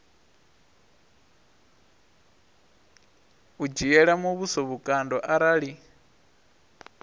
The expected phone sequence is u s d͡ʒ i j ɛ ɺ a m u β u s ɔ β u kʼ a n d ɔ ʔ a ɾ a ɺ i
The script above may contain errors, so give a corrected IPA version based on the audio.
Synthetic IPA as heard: u d͡ʒ i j ɛ ɺ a m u β u s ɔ β u kʼ a n d ɔ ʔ a ɾ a ɺ i

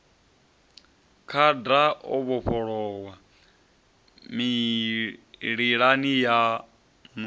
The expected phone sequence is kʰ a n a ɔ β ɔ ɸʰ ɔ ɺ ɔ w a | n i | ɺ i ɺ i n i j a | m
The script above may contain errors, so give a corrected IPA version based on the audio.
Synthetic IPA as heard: kʰ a d a ɔ β ɔ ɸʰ ɔ ɺ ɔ w a | m i | ɺ i ɺ a n i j a | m

